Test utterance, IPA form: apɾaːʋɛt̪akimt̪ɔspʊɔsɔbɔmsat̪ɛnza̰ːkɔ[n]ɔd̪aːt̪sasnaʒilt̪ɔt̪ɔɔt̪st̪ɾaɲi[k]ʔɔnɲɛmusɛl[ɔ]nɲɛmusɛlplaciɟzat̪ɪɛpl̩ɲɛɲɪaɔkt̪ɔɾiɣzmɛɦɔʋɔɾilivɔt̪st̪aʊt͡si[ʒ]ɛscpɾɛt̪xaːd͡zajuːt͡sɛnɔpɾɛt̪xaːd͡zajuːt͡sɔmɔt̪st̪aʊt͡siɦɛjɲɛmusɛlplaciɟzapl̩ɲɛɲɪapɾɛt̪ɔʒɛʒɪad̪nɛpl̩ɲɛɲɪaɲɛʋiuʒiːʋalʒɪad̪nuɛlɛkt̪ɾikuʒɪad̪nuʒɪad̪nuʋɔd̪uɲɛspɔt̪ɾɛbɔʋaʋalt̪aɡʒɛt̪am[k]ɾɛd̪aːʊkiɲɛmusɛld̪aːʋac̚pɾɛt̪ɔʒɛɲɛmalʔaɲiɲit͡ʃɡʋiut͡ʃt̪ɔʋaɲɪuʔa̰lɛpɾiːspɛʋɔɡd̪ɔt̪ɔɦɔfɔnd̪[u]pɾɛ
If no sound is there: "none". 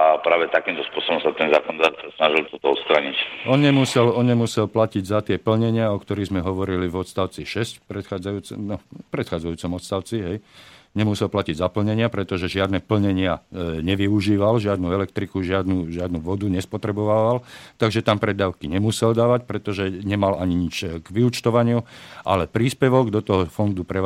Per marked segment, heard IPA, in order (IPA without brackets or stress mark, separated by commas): n, c, ɔ, ʃ, p, u